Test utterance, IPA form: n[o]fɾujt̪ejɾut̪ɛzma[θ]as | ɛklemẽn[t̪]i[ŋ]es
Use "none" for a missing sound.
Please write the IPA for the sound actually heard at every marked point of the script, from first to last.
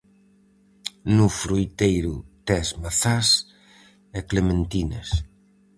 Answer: u, θ, t̪, n

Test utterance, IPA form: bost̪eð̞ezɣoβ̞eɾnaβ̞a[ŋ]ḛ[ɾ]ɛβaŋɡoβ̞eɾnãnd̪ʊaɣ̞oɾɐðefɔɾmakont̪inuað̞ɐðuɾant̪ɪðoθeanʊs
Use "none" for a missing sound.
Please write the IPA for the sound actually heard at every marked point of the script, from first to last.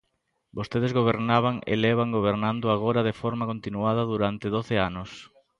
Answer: ŋ, l

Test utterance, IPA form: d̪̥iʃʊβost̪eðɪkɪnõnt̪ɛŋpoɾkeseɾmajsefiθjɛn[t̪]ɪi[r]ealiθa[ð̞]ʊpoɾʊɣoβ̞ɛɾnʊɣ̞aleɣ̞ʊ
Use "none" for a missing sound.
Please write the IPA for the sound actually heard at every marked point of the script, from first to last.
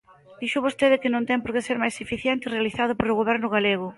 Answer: t̪, r, ð̞

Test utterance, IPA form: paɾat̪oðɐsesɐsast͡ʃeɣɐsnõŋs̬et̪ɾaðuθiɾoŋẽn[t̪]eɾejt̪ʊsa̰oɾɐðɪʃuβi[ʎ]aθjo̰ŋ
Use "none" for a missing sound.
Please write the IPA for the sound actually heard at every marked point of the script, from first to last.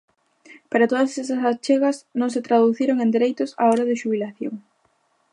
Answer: d̪, l

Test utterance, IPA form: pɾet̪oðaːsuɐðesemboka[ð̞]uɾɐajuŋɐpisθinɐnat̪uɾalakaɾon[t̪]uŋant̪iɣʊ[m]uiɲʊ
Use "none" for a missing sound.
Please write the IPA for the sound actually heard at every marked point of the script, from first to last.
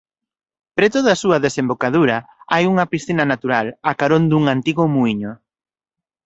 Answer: ð̞, d̪, m

